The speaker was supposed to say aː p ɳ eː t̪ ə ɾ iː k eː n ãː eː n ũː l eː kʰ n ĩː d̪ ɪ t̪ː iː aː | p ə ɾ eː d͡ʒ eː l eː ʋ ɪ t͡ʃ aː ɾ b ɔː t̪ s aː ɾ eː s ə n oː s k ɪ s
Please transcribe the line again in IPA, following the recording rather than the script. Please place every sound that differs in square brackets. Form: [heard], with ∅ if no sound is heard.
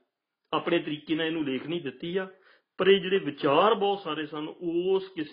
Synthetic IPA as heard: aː p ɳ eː t̪ ə ɾ iː k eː n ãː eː n ũː l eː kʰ n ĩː d̪ ɪ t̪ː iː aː | p ə ɾ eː d͡ʒ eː [ɽ] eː ʋ ɪ t͡ʃ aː ɾ b ɔː t̪ s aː ɾ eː s ə n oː s k ɪ s